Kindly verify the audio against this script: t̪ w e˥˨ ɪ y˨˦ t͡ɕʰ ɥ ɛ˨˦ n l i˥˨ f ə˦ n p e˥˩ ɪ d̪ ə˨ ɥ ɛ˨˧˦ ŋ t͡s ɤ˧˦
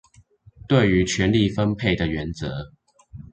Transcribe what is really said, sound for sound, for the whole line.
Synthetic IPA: t̪ w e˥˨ ɪ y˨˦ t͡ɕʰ ɥ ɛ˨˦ n l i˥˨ f ə˦ n pʰ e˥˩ ɪ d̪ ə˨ ɥ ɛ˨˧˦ n t͡s ɤ˧˦